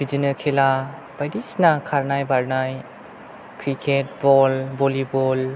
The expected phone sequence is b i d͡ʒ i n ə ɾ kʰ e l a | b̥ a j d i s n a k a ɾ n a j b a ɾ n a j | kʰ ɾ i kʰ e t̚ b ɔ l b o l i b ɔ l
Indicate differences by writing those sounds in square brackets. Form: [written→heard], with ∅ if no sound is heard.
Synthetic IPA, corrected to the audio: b i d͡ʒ i n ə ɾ kʰ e l a | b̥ a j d i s n a [k→kʰ] a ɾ n a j b a ɾ n a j | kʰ ɾ i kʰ e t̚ b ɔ l b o l i b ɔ l